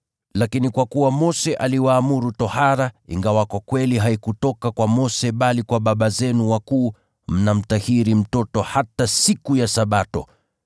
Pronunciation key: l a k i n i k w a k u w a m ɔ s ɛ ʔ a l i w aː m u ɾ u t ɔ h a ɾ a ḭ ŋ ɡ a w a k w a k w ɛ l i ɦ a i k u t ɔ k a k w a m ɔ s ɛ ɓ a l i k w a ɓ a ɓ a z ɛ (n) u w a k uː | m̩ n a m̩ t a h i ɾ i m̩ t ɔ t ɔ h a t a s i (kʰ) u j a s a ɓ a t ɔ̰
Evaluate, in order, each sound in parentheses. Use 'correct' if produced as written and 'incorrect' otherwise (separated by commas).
correct, incorrect